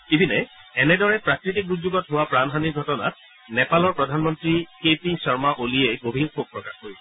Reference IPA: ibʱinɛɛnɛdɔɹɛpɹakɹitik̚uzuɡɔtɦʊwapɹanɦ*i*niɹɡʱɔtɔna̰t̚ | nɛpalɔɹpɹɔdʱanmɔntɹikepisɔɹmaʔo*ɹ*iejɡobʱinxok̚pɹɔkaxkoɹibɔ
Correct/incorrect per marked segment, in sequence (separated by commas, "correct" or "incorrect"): incorrect, incorrect